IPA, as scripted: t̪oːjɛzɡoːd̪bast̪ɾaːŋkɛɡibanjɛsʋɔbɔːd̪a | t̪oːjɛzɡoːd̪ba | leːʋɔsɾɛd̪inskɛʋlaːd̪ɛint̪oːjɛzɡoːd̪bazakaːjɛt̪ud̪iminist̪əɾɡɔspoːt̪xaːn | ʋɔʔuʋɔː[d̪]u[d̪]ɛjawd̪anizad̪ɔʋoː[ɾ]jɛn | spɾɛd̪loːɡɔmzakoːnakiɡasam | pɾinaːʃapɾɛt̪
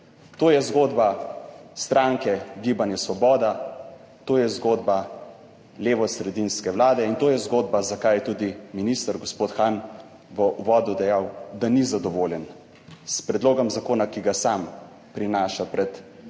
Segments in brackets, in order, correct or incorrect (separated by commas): correct, correct, incorrect